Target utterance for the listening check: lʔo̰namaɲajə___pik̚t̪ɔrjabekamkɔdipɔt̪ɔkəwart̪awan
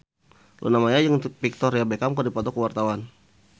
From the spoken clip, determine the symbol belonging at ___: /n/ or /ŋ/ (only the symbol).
ŋ